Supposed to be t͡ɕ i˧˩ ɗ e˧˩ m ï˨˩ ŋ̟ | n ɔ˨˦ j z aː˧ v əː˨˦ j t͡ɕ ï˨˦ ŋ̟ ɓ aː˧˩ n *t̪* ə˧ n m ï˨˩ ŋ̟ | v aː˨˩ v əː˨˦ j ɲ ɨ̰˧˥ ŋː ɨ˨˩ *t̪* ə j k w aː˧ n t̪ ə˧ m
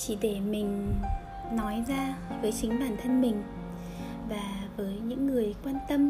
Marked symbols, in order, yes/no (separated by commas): no, no